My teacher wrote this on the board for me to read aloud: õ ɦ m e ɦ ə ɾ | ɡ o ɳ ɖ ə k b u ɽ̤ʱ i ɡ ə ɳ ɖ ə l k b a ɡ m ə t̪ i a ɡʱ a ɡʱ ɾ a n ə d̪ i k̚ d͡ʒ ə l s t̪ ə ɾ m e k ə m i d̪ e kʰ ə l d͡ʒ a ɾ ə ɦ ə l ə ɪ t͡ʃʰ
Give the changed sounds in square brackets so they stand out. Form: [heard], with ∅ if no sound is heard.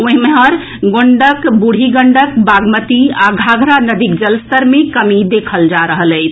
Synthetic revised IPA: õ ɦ m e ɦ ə ɾ | ɡ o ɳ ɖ ə k b u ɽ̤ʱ i ɡ ə ɳ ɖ ə [∅] k b a ɡ m ə t̪ i a ɡʱ a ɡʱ ɾ a n ə d̪ i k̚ d͡ʒ ə l s t̪ ə ɾ m e k ə m i d̪ e kʰ ə l d͡ʒ a ɾ ə ɦ ə l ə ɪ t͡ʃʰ